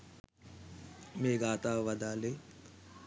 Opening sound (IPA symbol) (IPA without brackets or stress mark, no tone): m